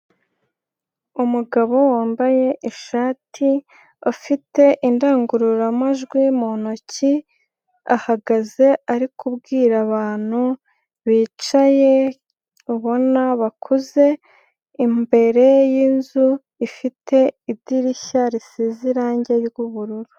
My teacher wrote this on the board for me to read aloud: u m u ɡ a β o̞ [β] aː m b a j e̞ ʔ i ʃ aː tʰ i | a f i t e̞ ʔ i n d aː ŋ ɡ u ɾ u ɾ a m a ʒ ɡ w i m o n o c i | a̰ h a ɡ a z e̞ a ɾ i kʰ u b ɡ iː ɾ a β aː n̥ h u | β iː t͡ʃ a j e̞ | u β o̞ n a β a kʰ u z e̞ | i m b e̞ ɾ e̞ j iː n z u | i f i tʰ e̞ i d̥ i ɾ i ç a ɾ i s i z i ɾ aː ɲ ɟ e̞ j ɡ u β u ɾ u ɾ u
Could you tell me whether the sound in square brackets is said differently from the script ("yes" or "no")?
yes